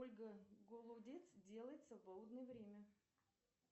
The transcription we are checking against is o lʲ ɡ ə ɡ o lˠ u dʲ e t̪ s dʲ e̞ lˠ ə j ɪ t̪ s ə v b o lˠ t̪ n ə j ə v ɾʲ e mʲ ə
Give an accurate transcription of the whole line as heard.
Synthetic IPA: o lʲ ɡ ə ɡ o lˠ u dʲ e t̪ s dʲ e̞ lˠ ə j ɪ t̪ s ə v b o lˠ d̪ n ə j ə v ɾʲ e mʲ ə